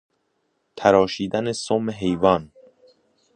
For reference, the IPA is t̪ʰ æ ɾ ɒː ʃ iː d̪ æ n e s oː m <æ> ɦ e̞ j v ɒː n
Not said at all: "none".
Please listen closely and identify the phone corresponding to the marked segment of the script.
e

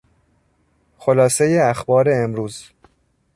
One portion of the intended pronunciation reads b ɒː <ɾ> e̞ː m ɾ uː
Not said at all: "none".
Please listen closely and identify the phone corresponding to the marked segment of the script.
ɾ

